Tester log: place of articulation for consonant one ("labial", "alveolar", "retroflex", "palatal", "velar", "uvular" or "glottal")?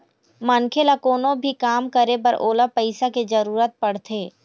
labial